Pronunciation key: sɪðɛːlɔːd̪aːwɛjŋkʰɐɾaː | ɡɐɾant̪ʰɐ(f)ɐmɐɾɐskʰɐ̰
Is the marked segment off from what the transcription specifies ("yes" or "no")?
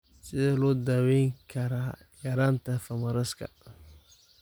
no